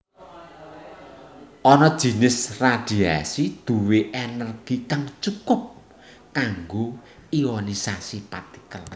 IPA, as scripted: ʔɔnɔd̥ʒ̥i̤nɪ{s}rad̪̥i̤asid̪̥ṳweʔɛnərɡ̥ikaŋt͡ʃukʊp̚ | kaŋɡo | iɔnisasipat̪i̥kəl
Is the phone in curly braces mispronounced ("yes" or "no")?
no